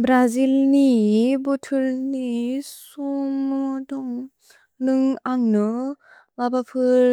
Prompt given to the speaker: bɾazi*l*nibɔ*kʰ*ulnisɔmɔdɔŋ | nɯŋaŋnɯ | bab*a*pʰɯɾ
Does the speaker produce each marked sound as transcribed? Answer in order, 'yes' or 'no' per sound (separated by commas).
yes, no, yes